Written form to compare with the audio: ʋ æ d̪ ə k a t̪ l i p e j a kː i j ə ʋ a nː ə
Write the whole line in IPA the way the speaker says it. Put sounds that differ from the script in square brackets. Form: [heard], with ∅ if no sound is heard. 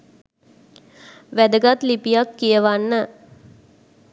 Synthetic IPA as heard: ʋ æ d̪ ə [ɡ] a t̪ l i p [i] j a kː i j ə ʋ a nː ə